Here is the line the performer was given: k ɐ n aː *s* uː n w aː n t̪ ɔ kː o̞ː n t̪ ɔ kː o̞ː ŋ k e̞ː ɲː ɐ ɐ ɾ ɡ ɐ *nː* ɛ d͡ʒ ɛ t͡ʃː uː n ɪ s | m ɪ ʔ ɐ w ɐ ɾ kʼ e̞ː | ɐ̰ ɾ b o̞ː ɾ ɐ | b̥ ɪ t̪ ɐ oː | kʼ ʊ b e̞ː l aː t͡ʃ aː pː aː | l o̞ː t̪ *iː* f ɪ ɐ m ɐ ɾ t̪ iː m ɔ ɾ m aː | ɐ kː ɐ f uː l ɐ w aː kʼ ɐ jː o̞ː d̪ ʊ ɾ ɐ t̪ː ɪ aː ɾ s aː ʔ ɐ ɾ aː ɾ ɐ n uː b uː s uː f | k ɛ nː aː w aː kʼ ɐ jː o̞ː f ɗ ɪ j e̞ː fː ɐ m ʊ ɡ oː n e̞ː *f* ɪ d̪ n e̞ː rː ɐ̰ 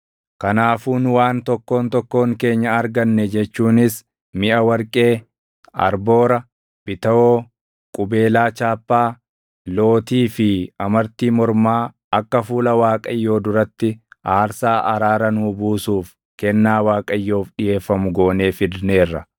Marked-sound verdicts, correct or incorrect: incorrect: f, correct, correct, correct

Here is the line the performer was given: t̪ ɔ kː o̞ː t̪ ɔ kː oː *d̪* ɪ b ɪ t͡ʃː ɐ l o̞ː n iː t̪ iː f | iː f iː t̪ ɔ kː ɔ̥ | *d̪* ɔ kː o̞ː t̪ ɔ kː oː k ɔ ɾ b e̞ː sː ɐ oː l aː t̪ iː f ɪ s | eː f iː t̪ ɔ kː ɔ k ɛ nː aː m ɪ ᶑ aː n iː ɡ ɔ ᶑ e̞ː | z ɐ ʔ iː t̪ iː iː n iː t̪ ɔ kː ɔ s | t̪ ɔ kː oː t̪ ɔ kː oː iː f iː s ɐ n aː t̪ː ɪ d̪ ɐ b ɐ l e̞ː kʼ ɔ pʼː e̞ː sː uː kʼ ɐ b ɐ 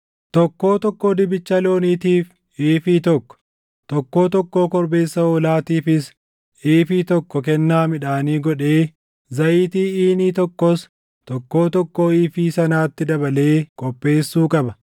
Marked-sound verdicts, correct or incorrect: correct, incorrect: t̪

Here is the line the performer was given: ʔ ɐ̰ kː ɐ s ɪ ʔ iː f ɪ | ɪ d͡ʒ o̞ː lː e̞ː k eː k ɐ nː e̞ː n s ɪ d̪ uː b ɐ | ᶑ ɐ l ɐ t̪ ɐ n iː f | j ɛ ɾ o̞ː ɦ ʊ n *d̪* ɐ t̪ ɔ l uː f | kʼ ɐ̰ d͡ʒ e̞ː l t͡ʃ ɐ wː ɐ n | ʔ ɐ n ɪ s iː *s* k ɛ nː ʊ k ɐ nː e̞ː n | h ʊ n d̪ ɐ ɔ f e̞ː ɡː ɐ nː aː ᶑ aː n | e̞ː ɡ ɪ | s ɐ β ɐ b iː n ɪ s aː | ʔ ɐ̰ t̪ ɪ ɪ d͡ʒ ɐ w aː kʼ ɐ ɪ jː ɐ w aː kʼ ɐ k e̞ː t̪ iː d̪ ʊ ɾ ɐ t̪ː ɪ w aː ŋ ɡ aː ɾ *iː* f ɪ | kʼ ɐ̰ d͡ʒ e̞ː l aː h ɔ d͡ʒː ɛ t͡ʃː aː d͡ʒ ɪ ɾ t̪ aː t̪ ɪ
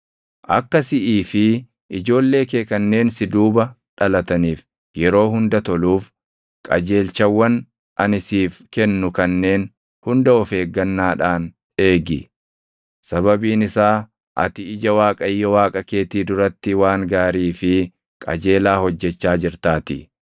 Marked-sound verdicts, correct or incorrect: correct, incorrect: f, correct

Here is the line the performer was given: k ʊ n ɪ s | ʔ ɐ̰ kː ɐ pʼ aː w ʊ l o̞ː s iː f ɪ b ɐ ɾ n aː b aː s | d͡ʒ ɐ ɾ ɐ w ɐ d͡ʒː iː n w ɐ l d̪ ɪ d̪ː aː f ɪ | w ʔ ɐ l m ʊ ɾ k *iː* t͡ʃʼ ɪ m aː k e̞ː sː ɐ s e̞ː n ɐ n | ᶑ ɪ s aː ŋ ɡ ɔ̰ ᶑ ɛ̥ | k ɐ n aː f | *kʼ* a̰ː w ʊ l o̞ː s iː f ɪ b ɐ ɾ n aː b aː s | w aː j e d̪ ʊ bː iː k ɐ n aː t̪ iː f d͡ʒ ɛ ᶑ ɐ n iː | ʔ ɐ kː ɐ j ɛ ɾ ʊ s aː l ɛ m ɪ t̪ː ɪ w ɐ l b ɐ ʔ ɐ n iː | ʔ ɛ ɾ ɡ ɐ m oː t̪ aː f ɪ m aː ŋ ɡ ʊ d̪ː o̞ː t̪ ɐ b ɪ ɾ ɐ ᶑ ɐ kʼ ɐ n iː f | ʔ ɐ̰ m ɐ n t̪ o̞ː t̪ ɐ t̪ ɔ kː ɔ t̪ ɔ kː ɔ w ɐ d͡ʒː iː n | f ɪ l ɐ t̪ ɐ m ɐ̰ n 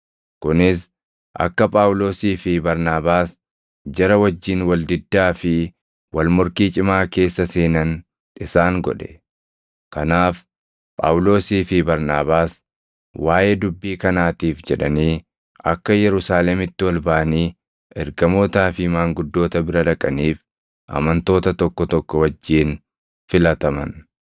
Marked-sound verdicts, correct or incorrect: correct, incorrect: pʼ

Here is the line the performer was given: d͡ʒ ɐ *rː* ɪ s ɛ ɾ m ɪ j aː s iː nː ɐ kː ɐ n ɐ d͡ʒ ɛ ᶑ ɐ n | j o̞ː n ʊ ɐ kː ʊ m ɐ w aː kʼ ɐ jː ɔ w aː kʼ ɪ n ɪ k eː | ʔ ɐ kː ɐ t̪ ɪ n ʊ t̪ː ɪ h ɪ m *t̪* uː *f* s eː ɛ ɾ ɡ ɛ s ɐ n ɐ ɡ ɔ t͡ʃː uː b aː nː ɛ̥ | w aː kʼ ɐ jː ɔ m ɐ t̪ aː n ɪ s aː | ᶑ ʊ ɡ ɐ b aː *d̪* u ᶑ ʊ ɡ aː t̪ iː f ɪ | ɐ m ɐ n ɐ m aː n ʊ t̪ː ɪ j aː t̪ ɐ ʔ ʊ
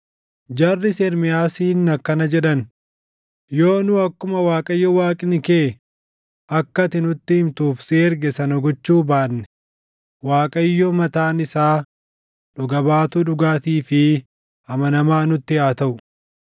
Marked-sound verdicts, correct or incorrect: correct, correct, correct, incorrect: t̪

